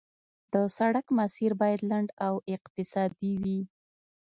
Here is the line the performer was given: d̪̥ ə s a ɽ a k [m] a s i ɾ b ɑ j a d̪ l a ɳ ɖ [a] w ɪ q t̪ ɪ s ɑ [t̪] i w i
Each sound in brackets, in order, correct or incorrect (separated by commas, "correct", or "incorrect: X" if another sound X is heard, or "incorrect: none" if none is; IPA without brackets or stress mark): correct, correct, incorrect: d̪